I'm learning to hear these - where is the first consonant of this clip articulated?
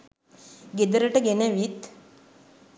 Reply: velum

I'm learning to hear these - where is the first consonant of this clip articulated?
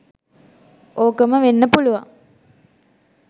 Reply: velum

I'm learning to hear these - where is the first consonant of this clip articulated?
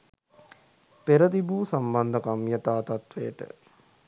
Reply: lips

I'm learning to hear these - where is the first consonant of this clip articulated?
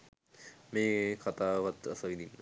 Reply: lips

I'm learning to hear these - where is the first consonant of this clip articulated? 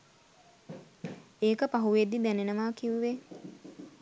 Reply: velum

